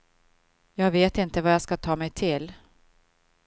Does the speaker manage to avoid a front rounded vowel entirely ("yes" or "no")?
yes